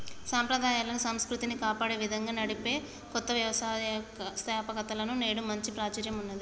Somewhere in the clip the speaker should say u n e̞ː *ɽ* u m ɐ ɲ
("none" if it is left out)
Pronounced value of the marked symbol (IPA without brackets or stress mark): ɽ